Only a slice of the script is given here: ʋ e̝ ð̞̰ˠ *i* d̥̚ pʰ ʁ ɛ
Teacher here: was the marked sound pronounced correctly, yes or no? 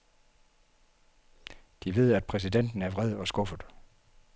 no